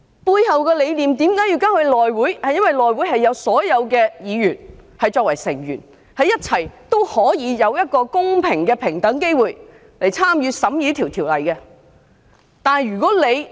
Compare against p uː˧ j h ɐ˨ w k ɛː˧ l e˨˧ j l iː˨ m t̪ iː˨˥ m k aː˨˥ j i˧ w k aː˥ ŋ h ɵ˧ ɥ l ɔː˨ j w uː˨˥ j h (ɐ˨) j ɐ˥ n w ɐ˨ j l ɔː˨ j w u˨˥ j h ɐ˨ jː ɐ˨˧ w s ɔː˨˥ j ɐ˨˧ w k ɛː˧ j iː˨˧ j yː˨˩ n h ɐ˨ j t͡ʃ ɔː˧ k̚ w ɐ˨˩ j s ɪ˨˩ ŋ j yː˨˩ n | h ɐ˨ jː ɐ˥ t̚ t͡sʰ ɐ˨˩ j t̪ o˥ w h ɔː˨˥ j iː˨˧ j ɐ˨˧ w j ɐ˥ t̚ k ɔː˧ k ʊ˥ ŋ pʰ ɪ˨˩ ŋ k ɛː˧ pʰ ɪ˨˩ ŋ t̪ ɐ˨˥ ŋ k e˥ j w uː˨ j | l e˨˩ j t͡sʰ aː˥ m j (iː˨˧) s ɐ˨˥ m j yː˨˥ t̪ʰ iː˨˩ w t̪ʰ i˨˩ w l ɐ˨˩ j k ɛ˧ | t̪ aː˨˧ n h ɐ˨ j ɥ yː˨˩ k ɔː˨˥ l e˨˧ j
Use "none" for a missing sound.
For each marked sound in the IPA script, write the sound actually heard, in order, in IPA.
ɐ˨, yː˨˧

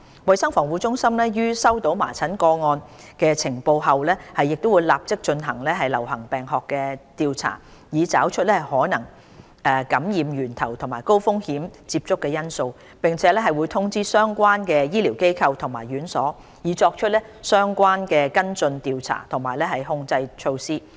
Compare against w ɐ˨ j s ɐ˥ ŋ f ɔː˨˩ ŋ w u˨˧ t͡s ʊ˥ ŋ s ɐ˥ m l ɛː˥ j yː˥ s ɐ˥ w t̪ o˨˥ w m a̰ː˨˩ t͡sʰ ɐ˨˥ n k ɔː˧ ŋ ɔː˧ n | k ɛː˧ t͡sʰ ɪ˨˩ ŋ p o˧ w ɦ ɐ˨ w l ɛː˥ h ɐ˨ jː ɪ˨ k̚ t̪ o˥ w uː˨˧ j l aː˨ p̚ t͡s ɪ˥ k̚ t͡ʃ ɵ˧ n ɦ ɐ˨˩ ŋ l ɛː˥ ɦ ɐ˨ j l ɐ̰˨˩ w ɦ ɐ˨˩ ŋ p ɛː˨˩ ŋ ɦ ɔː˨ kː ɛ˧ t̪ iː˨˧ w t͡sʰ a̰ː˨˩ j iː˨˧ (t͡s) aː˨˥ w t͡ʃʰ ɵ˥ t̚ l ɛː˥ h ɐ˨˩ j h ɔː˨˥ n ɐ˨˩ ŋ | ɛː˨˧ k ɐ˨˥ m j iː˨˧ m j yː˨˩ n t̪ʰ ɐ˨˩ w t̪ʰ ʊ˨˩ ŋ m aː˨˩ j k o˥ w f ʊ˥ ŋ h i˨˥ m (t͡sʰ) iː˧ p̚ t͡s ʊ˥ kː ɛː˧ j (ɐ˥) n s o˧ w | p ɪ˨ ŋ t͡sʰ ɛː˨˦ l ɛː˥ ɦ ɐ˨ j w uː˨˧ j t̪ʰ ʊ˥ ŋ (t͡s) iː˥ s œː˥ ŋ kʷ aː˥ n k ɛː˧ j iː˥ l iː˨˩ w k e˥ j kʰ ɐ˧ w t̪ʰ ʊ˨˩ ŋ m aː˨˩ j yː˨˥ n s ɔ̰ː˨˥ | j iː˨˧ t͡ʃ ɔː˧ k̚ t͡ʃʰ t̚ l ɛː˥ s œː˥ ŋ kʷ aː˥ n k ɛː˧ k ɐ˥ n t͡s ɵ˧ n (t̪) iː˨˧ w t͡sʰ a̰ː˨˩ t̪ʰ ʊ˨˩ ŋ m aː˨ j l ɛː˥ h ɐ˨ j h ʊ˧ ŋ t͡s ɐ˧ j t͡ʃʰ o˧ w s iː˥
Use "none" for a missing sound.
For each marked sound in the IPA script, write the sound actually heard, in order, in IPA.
t͡s, t͡s, ɐ˥, t͡s, t̪

